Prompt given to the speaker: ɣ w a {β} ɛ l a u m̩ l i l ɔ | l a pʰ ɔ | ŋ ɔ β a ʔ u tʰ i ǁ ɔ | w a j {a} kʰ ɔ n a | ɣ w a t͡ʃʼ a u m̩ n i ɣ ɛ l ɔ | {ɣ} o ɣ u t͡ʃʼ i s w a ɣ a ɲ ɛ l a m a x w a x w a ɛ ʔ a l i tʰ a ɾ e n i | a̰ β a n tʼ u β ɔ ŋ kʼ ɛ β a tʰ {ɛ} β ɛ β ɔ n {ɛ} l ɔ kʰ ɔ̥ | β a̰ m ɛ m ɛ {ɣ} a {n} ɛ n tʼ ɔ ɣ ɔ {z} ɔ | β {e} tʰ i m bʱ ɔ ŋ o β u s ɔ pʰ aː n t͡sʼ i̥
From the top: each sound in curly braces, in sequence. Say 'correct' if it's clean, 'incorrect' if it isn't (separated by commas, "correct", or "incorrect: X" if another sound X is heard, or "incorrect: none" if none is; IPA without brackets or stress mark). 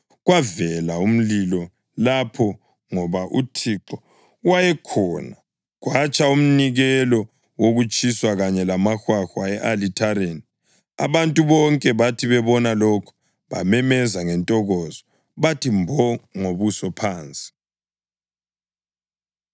incorrect: v, incorrect: ɛ, incorrect: w, incorrect: i, incorrect: a, incorrect: z, incorrect: ŋ, correct, incorrect: a